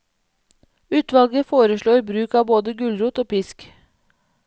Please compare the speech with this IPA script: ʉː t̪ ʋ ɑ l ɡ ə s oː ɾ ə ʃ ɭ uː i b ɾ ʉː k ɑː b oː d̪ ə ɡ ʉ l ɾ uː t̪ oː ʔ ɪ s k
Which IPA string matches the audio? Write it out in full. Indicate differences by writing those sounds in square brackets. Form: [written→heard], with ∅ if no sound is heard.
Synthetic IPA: ʉː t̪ ʋ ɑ l ɡ ə [s→f] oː ɾ ə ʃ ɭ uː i b ɾ ʉː k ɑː b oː d̪ ə ɡ ʉ l ɾ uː t̪ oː [ʔ→p] ɪ s k